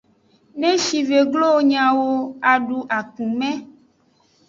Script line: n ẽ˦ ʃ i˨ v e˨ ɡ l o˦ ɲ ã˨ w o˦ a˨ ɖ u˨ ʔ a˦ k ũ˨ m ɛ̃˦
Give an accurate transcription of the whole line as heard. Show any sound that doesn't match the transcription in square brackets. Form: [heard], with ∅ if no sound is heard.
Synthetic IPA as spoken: n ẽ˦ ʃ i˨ v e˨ ɡ l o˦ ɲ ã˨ w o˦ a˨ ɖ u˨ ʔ [a˨] k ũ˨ m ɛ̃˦